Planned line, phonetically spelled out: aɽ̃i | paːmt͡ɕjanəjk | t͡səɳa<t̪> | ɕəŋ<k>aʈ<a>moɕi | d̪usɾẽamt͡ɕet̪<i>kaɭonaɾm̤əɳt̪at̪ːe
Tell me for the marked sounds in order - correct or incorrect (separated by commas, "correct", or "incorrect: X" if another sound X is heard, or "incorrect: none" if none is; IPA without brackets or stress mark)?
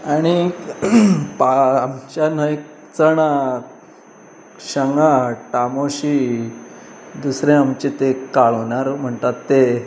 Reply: incorrect: none, incorrect: ɡ, correct, incorrect: e